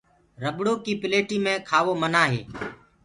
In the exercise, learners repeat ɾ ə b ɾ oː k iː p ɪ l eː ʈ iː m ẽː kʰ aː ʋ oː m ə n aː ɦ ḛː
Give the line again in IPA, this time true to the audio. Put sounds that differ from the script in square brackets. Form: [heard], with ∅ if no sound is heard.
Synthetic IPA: ɾ ə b [ɽ] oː k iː p ɪ l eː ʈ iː m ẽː kʰ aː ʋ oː m ə n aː ɦ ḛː